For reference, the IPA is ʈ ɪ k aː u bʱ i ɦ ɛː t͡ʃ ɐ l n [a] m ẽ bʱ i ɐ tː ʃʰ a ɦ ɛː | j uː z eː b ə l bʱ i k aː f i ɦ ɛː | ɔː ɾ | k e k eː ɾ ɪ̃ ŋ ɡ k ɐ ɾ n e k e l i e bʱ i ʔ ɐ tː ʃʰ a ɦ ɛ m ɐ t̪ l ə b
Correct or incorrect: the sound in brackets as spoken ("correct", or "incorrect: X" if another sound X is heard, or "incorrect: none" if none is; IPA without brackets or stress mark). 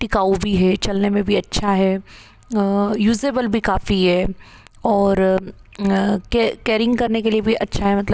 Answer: incorrect: e